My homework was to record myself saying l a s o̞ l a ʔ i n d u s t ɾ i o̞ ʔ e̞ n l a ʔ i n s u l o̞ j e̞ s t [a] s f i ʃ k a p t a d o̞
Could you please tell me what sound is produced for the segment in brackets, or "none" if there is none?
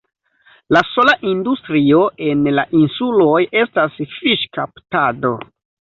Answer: a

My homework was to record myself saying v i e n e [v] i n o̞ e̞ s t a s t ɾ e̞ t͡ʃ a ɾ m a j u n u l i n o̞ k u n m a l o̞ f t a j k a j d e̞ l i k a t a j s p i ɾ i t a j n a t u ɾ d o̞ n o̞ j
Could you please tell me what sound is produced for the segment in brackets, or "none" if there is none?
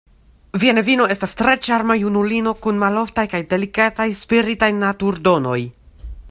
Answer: v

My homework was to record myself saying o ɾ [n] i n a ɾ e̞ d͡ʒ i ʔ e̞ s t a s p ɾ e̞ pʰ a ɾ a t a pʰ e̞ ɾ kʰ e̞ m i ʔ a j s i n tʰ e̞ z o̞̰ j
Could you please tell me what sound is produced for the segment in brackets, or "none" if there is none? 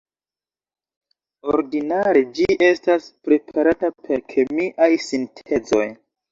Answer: d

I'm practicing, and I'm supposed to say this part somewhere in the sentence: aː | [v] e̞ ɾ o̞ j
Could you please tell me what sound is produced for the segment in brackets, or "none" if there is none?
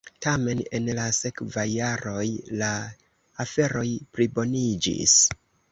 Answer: f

